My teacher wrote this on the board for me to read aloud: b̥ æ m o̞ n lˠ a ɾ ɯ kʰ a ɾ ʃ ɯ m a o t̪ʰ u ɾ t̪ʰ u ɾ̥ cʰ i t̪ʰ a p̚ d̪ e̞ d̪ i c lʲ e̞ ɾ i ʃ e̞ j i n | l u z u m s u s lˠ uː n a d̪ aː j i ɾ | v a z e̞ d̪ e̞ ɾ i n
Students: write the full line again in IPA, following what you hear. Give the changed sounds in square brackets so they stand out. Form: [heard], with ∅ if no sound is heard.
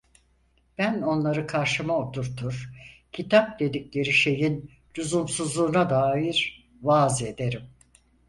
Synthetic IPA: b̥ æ [n] o̞ n lˠ a ɾ ɯ kʰ a ɾ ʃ ɯ m a o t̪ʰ u ɾ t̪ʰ u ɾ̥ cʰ i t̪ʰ a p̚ d̪ e̞ d̪ i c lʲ e̞ ɾ i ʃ e̞ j i n | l u z u m s u [z] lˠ uː n a d̪ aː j i ɾ | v a z e̞ d̪ e̞ ɾ i [m]